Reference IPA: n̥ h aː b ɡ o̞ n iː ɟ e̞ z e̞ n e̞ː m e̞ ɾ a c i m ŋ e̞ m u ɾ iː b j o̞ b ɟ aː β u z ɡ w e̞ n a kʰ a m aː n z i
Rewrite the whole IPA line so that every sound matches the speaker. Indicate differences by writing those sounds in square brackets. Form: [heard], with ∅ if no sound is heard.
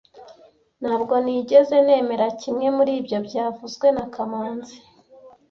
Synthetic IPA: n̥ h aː b ɡ o̞ n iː ɟ e̞ z e̞ n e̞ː m e̞ ɾ a c i m ŋ e̞ m u ɾ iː b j o̞ b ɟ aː [v] u z ɡ w e̞ n a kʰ a m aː n z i